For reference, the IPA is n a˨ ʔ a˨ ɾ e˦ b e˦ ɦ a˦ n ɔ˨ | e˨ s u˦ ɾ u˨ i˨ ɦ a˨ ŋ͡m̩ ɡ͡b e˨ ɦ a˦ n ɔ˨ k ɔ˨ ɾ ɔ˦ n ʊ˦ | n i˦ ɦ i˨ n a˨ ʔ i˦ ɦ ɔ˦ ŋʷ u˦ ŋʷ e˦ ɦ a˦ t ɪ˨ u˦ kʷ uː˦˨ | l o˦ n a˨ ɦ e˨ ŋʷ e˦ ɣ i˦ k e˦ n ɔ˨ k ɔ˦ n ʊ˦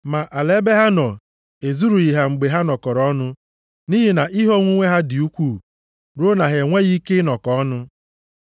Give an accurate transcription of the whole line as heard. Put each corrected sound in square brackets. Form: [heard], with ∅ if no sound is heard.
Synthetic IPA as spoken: [m] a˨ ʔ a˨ [l] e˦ b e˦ ɦ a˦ n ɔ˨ | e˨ [z] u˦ ɾ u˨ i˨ ɦ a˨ ŋ͡m̩ ɡ͡b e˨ ɦ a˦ n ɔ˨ k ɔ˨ ɾ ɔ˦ n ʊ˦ | n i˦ ɦ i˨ n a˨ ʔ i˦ ɦ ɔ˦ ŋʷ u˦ ŋʷ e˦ ɦ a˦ [d] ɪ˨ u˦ kʷ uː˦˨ | [ɾ] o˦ n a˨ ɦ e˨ ŋʷ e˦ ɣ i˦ k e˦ n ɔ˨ k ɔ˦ n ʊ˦